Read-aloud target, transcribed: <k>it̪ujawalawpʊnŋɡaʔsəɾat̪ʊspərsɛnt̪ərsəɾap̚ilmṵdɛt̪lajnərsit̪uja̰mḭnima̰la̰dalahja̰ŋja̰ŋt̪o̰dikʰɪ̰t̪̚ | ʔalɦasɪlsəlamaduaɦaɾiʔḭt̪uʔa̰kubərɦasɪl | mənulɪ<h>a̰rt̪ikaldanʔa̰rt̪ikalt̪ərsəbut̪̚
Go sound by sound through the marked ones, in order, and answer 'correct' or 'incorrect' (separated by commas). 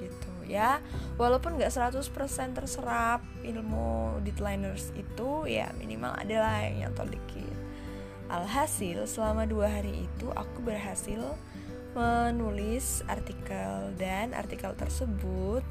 incorrect, incorrect